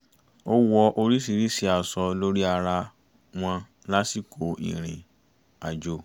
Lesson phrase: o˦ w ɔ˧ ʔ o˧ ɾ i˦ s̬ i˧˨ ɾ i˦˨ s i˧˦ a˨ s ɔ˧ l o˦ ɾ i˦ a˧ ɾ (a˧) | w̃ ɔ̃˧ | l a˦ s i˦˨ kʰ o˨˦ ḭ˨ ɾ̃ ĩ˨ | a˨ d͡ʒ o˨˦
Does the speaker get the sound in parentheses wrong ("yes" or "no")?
no